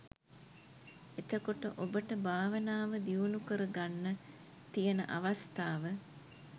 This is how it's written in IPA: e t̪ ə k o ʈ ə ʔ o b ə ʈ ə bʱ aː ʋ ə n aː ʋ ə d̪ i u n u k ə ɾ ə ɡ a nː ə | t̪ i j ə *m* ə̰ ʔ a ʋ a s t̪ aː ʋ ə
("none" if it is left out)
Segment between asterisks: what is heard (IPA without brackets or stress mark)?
n